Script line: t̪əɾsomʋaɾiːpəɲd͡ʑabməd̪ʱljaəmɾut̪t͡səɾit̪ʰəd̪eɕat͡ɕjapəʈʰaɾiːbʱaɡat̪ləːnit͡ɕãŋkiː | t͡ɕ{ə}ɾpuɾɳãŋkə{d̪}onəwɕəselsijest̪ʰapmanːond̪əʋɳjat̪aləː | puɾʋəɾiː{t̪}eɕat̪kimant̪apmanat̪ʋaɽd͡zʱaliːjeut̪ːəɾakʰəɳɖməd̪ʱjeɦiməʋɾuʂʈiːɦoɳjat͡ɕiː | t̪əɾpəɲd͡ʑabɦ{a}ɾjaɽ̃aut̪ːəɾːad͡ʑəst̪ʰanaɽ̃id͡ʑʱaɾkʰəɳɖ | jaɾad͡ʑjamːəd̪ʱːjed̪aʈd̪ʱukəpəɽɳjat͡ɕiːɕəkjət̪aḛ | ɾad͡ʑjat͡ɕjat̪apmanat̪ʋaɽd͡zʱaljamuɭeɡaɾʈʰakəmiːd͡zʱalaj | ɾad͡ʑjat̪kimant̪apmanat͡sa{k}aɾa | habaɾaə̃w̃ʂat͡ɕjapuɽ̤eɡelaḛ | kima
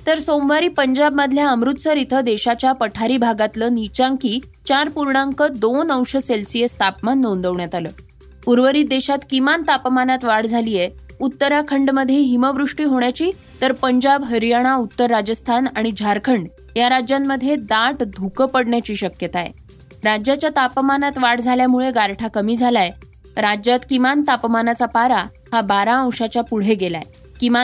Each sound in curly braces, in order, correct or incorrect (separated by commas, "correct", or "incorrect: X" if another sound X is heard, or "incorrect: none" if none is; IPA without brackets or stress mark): incorrect: a, correct, incorrect: d̪, incorrect: ə, incorrect: p